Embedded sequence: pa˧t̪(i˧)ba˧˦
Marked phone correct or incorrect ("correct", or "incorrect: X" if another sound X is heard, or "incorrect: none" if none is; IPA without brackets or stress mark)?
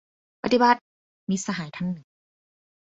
correct